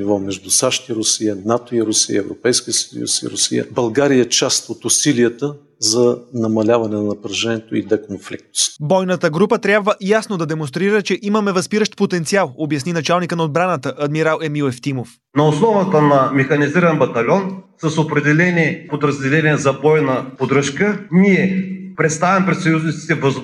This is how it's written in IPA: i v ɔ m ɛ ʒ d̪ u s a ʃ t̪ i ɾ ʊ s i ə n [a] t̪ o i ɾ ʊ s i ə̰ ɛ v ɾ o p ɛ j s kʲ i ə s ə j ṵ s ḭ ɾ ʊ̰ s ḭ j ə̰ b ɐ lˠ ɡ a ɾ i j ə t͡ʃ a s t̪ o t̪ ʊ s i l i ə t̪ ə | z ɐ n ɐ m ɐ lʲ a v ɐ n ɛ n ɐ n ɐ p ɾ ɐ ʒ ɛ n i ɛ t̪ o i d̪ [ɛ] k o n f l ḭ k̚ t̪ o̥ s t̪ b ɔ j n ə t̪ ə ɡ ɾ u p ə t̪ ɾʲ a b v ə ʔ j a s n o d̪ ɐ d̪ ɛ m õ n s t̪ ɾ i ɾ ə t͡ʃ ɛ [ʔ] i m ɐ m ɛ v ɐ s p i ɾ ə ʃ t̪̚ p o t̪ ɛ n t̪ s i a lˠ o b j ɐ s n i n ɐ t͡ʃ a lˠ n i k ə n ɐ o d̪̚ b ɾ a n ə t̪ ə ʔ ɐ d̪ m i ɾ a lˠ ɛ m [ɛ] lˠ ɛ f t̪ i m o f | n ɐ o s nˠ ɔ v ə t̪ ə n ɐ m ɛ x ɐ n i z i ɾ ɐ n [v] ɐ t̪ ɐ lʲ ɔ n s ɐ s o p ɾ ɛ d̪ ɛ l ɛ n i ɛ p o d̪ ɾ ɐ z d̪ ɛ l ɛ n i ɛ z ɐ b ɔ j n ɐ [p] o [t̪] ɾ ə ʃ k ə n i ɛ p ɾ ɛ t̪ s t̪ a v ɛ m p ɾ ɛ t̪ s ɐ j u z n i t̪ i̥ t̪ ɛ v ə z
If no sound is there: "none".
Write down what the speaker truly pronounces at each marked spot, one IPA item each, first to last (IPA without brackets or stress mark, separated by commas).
a, ɛ, ʔ, i, b, p, d̪